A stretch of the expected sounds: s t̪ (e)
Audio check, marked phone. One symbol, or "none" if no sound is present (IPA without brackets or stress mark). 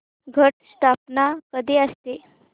e